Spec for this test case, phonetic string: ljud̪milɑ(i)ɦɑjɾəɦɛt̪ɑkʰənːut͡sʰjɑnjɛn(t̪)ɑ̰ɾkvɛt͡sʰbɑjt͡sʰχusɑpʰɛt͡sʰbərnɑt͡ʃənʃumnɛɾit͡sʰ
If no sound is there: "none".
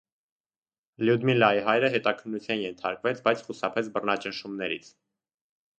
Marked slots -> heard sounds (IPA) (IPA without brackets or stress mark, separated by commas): i, t̪ʰ